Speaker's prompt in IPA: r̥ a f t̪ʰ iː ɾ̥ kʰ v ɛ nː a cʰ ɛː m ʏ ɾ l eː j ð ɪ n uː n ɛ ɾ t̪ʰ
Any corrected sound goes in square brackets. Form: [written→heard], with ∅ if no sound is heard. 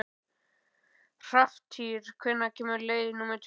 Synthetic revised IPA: r̥ a f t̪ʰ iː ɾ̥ kʰ v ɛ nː a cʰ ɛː m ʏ ɾ l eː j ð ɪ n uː [n→m] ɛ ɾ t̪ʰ